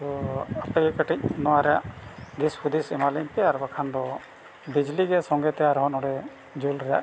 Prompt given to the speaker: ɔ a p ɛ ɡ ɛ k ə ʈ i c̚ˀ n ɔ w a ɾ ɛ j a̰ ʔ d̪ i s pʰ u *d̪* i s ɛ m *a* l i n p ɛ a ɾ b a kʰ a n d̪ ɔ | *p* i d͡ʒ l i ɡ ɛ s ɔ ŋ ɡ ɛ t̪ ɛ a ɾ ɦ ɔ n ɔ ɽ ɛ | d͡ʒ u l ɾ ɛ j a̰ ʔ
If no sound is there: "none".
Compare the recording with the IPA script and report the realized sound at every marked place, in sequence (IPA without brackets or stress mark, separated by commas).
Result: d̪, a, b